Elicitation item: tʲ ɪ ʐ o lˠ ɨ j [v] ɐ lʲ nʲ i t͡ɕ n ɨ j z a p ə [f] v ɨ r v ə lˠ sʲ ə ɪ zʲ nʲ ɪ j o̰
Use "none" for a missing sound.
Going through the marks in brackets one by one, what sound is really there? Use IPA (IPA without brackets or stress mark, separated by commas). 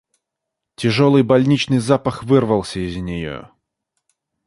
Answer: b, x